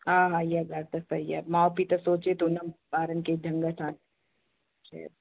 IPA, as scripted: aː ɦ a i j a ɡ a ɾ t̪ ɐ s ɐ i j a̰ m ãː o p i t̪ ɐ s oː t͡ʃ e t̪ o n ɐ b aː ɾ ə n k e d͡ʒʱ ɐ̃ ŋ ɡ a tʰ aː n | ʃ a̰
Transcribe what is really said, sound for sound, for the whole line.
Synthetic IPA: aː ɦ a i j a ɡ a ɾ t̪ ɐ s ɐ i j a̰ m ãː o p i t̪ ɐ s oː t͡ʃ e t̪ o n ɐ b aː ɾ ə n k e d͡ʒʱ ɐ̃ ŋ ɡ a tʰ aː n | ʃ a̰